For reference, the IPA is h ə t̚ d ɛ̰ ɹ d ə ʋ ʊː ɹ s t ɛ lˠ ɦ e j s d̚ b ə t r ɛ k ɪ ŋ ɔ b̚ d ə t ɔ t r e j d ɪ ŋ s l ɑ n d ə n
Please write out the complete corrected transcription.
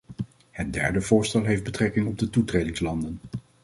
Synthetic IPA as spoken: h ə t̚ d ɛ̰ ɹ d ə v ʊː ɹ s t ɛ lˠ ɦ e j f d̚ b ə t r ɛ k ɪ ŋ ɔ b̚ d ə t u t r e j d ɪ ŋ s l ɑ n d ə n